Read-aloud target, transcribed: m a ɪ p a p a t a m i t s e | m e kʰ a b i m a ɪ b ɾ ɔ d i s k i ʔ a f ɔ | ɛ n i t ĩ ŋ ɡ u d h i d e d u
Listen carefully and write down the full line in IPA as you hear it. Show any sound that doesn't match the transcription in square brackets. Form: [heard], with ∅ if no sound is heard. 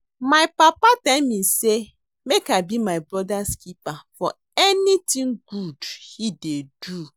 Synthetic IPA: m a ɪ p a p a t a m i [∅] s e | m e [k] a b i m a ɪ b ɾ ɔ d [a] s k i [p] a f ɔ | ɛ n i t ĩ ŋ ɡ u d h i d e d u